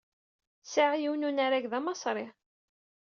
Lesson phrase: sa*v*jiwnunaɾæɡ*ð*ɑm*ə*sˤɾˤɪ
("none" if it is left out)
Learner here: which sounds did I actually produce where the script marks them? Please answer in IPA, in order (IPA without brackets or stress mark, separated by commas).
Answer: ʕ, ð, ɑ